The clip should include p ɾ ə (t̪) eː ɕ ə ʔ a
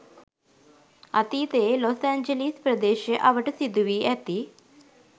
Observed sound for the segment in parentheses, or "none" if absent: d̪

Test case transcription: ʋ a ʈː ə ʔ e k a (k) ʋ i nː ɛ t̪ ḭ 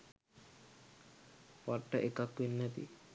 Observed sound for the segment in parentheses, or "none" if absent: k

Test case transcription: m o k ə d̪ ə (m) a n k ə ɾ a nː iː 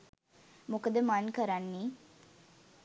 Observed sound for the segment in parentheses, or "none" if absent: m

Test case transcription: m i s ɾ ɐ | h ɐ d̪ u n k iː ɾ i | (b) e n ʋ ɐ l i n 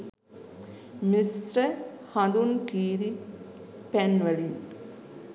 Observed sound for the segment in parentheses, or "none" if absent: p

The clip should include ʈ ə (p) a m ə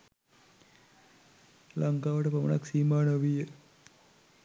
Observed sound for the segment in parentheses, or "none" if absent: p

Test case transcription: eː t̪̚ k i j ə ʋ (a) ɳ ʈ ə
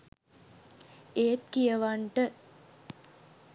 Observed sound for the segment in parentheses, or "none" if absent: a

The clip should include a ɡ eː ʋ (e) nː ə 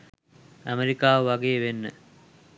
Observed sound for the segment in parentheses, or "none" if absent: e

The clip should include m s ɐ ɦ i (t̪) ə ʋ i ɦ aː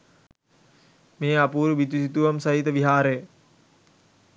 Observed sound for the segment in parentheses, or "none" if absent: t̪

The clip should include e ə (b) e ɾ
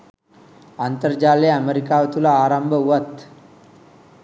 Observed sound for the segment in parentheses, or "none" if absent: m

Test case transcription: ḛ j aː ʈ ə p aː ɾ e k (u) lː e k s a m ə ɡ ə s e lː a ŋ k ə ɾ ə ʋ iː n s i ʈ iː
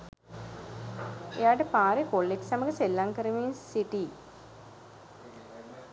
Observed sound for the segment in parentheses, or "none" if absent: o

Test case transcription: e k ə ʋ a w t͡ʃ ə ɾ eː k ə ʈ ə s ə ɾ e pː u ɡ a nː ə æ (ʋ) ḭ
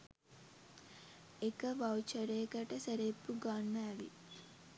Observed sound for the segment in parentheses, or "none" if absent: ʋ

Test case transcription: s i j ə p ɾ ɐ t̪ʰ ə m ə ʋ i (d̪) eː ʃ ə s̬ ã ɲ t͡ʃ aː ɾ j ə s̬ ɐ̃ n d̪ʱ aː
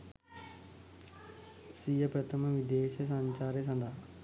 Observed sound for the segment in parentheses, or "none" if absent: d̪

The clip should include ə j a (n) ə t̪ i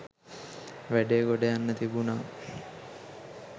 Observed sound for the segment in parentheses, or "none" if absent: nː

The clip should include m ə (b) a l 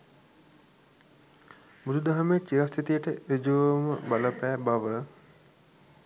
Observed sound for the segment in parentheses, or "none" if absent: b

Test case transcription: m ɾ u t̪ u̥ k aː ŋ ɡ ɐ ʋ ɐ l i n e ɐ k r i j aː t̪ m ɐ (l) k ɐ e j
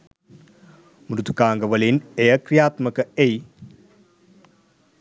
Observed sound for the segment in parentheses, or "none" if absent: none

